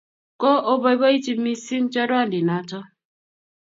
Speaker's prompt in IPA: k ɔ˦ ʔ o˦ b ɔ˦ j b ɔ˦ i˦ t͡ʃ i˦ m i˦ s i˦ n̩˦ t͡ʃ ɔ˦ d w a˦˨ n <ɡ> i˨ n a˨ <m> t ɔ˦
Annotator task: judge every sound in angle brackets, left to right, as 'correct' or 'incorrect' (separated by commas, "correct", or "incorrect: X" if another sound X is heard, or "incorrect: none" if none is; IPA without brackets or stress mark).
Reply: incorrect: d, incorrect: none